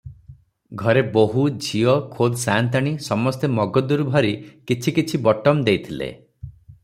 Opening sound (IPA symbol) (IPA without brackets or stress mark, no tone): ɡʱ